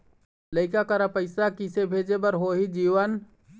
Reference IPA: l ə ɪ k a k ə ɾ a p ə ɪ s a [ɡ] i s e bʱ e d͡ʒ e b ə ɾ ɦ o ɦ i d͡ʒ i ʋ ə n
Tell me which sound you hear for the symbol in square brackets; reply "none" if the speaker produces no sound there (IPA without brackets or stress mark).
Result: k